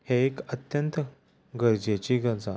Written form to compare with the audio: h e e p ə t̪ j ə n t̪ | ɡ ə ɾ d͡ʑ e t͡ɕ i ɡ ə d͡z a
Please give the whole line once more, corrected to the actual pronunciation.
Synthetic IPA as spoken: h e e k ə t̪ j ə n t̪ | ɡ ə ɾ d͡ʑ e t͡ɕ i ɡ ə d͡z a